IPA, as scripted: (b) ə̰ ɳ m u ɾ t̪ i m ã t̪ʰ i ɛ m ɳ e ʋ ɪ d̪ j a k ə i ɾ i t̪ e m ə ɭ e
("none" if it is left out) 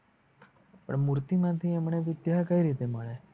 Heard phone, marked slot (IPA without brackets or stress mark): p